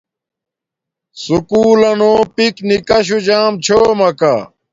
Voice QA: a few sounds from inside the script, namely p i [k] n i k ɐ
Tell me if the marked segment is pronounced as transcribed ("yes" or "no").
yes